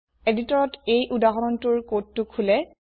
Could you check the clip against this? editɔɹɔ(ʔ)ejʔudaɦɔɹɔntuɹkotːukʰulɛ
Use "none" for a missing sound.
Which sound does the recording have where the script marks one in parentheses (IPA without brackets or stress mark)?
t